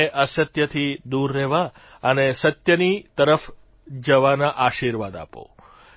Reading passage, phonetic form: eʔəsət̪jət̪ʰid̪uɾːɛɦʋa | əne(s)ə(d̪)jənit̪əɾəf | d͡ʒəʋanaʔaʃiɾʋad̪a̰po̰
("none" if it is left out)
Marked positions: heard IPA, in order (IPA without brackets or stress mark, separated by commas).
s, t̪